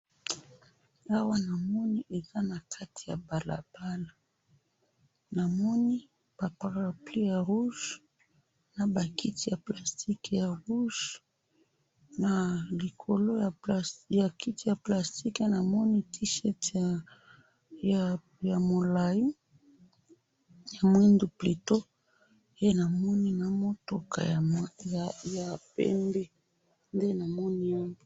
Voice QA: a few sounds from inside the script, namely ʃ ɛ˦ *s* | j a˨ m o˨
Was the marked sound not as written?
yes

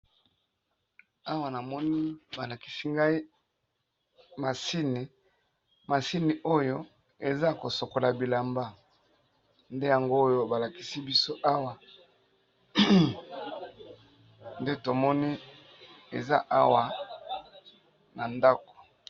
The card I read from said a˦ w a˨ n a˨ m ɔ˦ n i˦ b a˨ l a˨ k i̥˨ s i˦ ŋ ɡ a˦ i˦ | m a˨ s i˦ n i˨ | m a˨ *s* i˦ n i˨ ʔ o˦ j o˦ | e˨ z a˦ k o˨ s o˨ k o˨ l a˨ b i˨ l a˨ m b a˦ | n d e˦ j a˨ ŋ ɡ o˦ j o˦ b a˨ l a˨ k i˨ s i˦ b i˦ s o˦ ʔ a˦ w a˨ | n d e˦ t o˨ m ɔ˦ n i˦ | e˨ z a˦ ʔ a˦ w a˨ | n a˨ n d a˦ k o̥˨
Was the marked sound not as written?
no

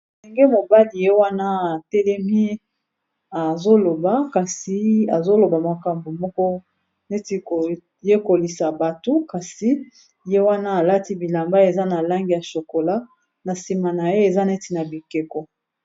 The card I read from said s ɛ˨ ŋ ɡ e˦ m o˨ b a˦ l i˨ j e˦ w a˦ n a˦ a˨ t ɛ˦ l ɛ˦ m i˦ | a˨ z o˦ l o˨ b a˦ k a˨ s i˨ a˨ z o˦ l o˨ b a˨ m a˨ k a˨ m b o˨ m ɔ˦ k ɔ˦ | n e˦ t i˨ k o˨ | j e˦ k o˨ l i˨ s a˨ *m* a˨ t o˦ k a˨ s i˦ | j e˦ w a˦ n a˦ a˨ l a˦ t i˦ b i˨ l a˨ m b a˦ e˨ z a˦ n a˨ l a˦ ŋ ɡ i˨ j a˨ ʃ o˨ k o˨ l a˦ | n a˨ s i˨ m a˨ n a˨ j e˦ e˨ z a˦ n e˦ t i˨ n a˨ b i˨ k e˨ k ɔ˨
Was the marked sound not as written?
yes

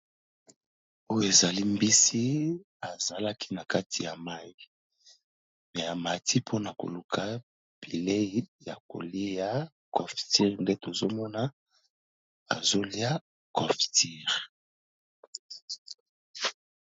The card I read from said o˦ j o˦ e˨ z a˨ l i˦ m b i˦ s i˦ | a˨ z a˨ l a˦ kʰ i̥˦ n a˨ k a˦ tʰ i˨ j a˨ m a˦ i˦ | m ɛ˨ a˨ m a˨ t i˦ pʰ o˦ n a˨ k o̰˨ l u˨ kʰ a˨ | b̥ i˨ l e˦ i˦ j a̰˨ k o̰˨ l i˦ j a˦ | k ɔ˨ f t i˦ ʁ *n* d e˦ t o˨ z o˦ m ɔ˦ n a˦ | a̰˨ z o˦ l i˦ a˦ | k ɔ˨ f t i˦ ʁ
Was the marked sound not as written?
no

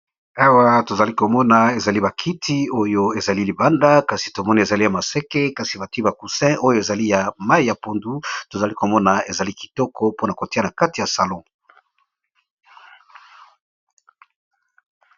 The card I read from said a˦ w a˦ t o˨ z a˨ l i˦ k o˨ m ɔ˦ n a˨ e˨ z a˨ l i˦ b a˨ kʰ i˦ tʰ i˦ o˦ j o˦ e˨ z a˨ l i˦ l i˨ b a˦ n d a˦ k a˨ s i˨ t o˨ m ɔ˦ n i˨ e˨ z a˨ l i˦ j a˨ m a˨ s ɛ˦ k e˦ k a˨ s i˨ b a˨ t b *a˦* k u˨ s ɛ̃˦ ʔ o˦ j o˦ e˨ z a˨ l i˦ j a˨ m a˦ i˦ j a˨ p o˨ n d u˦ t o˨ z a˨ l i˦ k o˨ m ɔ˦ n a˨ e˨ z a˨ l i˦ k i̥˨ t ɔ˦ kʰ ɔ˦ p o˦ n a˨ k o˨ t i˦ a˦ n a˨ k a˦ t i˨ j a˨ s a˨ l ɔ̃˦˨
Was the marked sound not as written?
yes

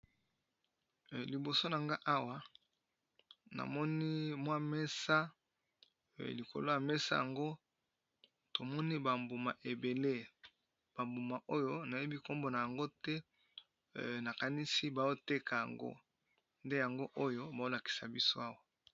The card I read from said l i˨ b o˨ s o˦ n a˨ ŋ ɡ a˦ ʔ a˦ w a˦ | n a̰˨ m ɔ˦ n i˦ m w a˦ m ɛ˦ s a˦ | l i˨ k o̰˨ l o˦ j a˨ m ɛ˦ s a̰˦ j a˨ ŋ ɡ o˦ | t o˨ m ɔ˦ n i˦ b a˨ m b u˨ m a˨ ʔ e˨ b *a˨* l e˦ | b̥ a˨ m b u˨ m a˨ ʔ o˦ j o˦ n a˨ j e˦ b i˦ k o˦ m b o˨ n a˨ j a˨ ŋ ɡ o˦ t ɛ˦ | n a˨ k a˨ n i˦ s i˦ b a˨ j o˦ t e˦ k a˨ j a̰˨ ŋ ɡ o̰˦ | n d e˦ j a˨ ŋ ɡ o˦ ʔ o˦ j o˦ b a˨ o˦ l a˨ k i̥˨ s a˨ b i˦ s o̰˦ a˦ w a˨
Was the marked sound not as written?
yes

